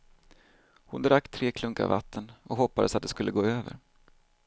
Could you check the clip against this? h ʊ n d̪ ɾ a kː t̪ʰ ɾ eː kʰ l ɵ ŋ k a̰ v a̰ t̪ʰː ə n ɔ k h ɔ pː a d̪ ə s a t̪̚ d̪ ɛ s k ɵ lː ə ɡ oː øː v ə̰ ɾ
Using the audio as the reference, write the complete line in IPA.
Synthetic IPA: h ʊ n d̪ ɾ a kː t̪ʰ ɾ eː kʰ l ɵ ŋ k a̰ v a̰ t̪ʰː ə n ɔ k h ɔ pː a d̪ ə s a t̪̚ d̪ ɛ s k ɵ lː ə ɡ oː øː v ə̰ ɾ